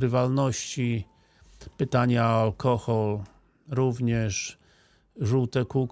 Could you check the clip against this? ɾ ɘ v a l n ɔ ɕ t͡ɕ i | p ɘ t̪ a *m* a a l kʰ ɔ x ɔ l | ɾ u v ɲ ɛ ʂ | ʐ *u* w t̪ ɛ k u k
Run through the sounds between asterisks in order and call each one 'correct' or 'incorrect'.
incorrect: ɲ, correct

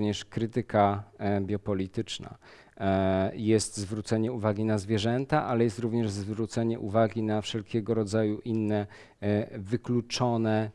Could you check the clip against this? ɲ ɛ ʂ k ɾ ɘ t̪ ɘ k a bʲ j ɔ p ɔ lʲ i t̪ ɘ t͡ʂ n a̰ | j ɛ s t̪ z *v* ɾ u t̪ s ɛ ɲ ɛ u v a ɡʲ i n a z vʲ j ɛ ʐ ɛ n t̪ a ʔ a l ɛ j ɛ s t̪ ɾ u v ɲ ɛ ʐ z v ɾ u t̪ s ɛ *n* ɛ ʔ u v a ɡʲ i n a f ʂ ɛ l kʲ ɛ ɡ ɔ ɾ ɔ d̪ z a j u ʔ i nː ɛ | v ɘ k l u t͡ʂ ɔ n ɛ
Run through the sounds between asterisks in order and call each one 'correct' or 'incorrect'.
correct, incorrect: ɲ

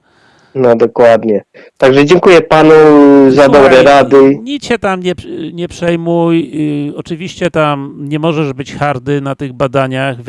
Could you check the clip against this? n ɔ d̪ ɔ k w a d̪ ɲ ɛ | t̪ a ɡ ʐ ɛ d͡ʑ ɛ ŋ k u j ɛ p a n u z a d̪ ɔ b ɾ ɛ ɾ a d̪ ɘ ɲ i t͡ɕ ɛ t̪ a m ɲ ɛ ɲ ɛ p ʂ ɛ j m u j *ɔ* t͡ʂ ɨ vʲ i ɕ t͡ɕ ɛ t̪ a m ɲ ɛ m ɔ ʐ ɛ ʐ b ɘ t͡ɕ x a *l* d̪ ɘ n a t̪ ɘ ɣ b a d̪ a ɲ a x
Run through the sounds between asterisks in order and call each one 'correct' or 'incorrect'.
correct, incorrect: ɾ

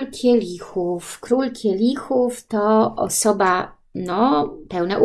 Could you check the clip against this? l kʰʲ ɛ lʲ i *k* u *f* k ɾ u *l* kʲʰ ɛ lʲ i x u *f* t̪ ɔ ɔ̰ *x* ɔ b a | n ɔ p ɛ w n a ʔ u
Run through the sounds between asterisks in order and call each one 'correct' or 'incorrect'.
incorrect: x, correct, correct, correct, incorrect: s

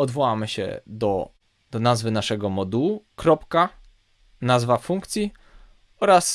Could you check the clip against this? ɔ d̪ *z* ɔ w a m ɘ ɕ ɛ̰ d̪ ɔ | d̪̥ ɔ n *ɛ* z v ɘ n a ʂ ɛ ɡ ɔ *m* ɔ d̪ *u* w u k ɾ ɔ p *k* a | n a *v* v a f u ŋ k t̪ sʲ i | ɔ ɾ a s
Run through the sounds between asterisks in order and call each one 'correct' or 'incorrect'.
incorrect: v, incorrect: a, correct, correct, correct, incorrect: z

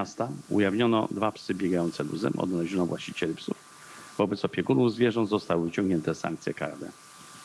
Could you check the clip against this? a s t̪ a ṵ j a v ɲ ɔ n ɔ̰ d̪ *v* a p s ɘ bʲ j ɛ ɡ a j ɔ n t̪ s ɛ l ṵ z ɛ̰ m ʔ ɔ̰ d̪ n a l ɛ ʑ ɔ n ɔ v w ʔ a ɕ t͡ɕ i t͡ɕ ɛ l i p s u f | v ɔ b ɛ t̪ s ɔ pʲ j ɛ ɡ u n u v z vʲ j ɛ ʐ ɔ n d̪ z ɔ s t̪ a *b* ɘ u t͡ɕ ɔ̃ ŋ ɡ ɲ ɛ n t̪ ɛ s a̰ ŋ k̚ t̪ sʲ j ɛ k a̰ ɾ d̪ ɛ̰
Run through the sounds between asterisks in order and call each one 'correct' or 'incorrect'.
correct, incorrect: w

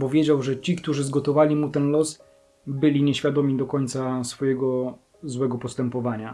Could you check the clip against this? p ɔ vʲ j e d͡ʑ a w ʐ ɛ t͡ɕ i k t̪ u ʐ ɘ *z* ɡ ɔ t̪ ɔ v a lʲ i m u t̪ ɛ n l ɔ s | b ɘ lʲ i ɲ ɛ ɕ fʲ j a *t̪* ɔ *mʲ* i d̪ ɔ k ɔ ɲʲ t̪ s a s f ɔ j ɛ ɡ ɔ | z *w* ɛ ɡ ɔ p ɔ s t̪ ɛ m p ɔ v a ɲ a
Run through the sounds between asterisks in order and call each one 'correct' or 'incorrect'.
correct, incorrect: d̪, correct, correct

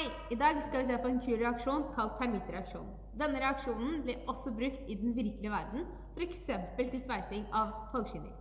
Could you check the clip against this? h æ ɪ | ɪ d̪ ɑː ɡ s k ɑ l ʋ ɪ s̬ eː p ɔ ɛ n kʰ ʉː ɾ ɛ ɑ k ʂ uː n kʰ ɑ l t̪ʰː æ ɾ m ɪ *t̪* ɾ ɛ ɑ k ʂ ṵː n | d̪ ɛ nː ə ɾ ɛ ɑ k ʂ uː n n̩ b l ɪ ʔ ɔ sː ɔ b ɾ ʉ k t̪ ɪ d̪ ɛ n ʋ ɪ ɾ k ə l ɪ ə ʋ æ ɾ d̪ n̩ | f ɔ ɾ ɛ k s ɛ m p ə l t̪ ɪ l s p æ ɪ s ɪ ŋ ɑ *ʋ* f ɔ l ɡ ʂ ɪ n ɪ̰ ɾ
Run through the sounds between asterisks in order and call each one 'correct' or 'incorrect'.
correct, correct

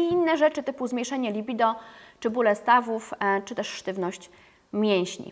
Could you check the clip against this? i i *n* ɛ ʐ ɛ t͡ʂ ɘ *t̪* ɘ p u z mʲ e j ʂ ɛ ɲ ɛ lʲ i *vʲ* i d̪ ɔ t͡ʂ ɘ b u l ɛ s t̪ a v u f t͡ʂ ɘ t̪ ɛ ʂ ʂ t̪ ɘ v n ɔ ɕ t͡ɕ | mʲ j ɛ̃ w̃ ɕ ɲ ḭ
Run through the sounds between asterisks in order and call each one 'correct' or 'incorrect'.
incorrect: nː, correct, incorrect: bʲ

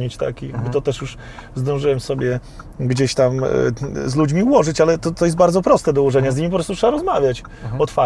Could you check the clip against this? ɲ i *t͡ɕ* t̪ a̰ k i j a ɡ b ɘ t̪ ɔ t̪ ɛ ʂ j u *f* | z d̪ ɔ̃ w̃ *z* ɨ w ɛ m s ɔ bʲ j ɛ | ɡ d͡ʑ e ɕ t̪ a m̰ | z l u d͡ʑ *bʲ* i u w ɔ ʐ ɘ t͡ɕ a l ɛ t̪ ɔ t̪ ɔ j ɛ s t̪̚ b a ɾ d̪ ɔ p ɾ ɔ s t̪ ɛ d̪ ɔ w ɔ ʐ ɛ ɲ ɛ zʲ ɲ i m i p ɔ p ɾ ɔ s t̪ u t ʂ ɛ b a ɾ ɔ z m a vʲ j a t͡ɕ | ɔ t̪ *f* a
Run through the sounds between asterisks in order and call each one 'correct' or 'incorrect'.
correct, incorrect: ʂ, incorrect: ʐ, incorrect: mʲ, correct

